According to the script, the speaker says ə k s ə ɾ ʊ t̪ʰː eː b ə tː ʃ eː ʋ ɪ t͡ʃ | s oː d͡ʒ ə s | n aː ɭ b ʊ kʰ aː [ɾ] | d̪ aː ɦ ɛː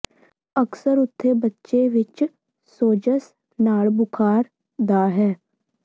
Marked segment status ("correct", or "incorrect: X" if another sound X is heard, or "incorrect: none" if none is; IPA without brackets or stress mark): correct